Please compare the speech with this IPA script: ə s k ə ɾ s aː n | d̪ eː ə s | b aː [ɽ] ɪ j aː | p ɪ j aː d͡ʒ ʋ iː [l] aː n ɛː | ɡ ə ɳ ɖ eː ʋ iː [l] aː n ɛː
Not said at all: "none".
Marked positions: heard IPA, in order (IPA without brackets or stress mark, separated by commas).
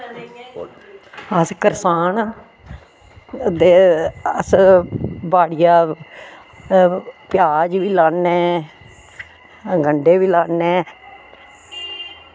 ɽ, l, l